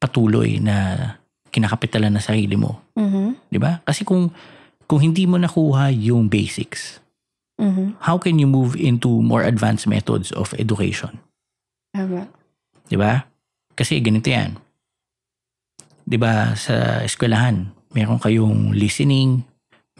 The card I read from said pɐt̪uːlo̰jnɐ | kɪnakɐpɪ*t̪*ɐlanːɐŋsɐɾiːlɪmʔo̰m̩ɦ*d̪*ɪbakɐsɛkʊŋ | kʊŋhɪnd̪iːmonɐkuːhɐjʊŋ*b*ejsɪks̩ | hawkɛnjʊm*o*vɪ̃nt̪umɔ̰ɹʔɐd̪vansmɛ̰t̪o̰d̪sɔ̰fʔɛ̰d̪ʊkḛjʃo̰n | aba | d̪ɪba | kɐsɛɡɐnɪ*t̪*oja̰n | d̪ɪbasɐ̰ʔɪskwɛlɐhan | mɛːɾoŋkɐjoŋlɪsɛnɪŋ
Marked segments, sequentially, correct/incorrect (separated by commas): correct, correct, correct, incorrect, correct